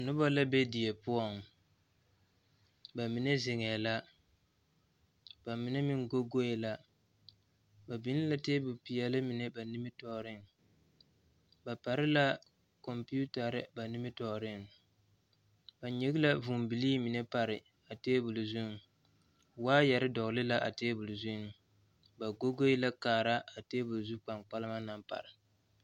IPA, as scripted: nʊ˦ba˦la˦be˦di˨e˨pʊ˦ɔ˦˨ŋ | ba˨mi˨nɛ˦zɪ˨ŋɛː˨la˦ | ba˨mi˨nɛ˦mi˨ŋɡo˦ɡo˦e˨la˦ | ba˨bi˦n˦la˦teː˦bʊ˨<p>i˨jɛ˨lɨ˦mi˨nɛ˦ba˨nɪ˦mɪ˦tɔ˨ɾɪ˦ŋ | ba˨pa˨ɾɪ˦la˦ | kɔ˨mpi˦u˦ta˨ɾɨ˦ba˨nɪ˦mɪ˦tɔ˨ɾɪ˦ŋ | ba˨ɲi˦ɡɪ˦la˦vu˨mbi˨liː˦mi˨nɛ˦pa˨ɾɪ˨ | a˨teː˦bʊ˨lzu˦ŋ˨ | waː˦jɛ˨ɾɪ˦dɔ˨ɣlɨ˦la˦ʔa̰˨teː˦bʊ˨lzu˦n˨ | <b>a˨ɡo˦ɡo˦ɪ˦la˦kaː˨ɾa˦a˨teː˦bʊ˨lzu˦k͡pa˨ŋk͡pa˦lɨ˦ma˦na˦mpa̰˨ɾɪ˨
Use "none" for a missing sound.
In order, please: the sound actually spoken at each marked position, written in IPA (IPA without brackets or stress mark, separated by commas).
p, b